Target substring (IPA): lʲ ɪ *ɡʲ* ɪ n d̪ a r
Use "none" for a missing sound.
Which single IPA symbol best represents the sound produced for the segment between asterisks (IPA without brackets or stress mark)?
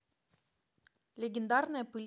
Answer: ɡʲ